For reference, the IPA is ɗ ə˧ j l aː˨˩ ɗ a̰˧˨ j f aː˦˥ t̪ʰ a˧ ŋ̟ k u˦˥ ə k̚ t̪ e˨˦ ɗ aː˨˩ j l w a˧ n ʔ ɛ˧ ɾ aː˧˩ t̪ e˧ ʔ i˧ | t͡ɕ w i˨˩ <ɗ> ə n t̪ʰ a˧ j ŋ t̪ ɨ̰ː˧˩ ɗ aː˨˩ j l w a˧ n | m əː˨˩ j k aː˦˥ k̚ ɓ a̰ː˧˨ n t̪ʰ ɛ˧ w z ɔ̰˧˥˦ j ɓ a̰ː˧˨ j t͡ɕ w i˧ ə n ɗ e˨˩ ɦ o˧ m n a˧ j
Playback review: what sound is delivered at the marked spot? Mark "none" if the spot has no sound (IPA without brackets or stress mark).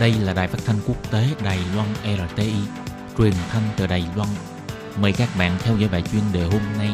none